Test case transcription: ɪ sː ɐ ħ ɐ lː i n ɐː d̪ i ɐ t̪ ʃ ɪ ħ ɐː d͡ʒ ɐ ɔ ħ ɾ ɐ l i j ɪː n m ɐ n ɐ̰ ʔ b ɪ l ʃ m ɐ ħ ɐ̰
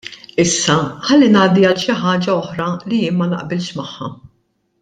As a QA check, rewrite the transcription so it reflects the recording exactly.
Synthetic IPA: ɪ sː ɐ ħ ɐ lː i n ɐː d̪ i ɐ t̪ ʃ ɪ ħ ɐː d͡ʒ ɐ ɔ ħ ɾ ɐ l i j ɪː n m ɐ n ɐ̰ ʔ b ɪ l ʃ m ɐ ħː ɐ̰